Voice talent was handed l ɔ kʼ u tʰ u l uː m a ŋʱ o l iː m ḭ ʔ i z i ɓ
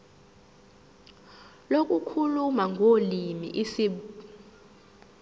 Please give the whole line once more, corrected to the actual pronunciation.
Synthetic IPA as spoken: l o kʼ u kʰ u l u m a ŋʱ o l i m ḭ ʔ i s i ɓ